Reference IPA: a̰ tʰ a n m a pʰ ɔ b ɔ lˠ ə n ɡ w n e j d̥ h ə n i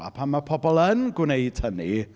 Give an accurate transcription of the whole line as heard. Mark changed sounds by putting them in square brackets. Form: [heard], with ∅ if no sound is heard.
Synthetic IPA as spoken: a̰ [pʰ] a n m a pʰ ɔ b ɔ lˠ ə n ɡ w n e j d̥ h ə n i